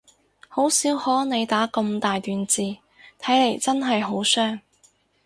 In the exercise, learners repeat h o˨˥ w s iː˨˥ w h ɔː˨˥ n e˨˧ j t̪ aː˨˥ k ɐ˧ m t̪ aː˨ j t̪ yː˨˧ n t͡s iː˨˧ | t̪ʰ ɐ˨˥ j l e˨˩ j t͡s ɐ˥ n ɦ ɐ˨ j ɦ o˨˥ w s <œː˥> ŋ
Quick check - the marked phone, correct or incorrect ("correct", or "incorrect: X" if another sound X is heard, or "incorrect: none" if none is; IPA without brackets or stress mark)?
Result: correct